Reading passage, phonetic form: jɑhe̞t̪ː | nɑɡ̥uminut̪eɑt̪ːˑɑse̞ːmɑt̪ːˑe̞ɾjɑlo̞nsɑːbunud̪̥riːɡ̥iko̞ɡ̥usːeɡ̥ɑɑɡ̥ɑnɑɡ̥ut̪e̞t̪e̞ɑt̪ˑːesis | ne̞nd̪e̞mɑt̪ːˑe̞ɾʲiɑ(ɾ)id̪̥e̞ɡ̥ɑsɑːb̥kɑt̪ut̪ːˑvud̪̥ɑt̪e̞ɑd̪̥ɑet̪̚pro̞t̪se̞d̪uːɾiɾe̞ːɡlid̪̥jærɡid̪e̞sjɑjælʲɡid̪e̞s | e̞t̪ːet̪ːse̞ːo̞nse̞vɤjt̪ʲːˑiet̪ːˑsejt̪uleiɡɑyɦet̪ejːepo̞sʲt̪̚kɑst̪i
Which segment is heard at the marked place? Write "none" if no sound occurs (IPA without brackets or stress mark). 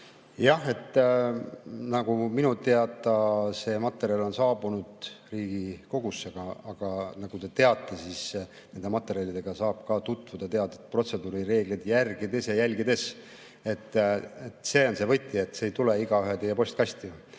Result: l